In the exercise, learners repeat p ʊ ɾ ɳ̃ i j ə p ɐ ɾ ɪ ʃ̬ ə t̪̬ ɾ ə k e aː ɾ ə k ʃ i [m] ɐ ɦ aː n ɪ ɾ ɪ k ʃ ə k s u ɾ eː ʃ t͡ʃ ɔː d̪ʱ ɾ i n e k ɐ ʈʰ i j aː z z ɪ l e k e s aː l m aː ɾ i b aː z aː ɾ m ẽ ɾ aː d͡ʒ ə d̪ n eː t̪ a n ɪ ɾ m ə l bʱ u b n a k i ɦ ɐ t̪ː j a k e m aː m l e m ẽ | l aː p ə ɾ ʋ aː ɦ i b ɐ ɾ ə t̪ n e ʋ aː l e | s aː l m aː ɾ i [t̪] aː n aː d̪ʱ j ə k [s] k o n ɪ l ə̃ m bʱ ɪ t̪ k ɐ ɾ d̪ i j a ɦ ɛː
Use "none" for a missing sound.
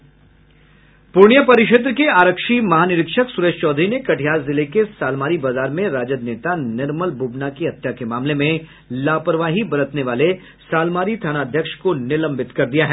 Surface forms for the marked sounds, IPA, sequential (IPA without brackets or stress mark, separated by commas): m, t̪ʰ, ʃ